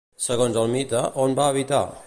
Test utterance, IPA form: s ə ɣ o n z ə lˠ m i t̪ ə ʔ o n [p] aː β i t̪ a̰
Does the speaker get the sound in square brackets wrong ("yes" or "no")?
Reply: yes